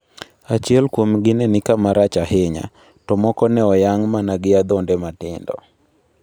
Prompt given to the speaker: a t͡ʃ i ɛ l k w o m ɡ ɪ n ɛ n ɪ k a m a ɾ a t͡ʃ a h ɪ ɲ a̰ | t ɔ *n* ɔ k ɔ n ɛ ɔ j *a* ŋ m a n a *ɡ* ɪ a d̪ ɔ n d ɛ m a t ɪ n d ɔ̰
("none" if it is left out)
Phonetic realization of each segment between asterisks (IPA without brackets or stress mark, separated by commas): m, a, ɡ